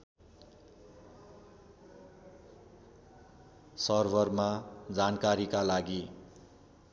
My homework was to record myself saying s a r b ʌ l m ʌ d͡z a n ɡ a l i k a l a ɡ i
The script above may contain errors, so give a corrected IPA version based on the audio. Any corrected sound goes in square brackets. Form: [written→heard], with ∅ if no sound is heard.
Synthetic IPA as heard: s [a→ʌ] r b ʌ [l→r] m [ʌ→a] d͡z a n [ɡ→k] a [l→ɾ] i k a l a ɡ i

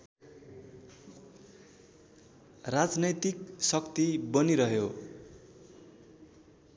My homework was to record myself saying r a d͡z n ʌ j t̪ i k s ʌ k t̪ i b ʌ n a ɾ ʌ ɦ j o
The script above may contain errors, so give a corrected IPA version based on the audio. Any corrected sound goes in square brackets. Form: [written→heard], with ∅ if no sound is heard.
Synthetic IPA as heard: r a d͡z n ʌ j t̪ i k s ʌ k t̪ i b ʌ n [a→i] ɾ ʌ ɦ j o

